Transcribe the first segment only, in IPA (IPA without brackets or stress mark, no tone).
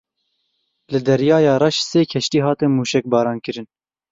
l